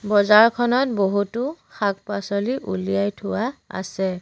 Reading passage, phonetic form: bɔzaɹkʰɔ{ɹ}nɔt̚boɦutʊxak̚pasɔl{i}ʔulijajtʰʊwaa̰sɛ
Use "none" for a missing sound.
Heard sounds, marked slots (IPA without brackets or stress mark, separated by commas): none, i